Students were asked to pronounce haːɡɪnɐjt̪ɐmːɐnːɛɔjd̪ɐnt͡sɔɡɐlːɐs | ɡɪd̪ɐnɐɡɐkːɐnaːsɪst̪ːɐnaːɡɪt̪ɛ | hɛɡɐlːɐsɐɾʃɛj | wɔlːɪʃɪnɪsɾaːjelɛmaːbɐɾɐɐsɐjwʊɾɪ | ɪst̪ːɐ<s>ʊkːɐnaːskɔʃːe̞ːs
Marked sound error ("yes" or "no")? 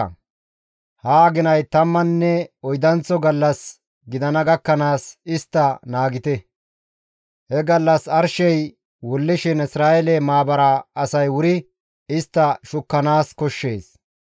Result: yes